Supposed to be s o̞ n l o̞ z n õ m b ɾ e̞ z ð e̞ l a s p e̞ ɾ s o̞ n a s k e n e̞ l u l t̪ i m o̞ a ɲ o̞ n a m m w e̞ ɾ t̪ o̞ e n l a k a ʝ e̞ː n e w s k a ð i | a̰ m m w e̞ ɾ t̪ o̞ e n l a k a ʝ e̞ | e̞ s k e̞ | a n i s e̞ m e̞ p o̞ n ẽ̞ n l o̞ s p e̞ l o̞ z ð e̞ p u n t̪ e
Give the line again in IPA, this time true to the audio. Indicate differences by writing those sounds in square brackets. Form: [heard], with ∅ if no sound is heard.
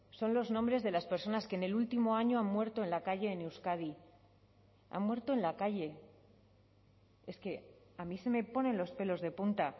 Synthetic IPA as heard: s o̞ n l o̞ z n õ m b ɾ e̞ z ð e̞ l a s p e̞ ɾ s o̞ n a s k e n e̞ l u l t̪ i m o̞ a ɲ o̞ [∅] a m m w e̞ ɾ t̪ o̞ e n l a k a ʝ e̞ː n e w s k a ð i | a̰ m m w e̞ ɾ t̪ o̞ e n l a k a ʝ e̞ | e̞ s k e̞ | a [m] i s e̞ m e̞ p o̞ n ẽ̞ n l o̞ s p e̞ l o̞ z ð e̞ p u n t̪ [a]